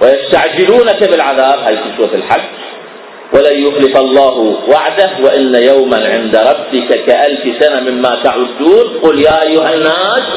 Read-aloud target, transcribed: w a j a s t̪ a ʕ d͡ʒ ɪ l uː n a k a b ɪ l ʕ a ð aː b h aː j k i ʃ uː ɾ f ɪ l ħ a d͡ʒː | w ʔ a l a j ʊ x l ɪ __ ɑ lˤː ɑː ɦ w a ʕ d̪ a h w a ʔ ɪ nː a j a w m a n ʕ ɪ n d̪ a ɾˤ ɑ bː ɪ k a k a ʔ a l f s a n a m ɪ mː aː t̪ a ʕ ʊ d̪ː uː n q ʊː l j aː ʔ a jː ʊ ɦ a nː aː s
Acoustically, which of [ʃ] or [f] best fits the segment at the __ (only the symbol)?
f